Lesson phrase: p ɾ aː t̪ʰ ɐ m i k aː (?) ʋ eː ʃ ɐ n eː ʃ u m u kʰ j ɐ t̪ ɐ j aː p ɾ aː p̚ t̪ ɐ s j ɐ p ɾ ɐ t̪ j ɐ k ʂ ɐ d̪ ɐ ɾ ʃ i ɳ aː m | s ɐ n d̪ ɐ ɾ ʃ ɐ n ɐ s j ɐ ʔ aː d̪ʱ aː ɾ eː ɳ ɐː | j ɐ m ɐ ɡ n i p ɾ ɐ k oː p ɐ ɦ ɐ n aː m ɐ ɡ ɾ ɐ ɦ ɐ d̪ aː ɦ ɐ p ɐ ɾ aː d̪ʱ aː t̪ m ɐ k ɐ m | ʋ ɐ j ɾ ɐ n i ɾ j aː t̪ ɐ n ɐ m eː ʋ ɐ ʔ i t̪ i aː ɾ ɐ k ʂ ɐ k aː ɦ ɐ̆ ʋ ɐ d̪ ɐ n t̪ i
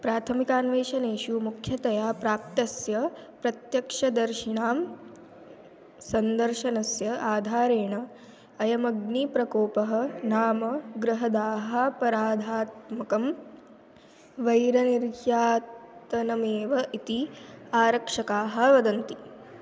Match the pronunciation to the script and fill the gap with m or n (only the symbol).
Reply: n